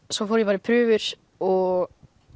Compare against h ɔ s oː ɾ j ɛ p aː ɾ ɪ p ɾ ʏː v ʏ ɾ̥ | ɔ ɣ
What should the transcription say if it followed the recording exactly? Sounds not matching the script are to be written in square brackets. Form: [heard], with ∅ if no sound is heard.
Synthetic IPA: [s] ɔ [f] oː ɾ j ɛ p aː ɾ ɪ [pʰ] ɾ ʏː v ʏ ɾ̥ | ɔ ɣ